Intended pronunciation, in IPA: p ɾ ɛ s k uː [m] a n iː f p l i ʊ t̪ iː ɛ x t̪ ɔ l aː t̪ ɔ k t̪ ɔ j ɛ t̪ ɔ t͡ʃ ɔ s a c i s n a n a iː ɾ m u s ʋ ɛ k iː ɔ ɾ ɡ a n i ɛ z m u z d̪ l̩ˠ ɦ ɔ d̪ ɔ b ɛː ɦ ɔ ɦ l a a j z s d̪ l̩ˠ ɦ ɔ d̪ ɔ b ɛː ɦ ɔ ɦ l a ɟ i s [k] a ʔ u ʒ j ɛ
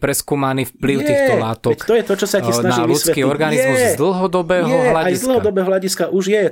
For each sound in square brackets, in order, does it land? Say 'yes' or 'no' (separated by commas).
yes, yes